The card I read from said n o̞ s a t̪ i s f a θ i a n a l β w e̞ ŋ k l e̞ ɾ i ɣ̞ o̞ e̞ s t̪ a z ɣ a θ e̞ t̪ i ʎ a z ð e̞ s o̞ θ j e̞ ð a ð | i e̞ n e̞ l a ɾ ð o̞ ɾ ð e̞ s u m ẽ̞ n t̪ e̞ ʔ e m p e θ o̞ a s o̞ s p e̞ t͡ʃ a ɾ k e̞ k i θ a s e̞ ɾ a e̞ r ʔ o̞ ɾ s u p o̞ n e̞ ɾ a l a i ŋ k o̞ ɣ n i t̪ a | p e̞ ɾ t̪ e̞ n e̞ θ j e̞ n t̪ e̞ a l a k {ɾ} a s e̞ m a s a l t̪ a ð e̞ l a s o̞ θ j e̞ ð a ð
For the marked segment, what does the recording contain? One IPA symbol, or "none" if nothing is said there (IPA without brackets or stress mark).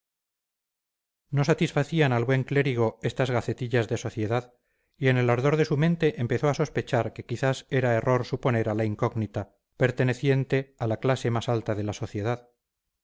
l